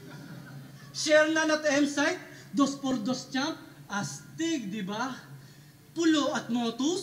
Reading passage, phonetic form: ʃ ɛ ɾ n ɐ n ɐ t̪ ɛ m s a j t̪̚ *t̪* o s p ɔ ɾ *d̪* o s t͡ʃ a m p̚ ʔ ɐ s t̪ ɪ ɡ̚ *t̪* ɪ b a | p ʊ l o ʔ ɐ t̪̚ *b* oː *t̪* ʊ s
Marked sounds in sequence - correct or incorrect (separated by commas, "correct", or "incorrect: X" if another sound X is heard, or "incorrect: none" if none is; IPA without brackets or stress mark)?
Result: incorrect: d̪, correct, incorrect: d̪, incorrect: m, correct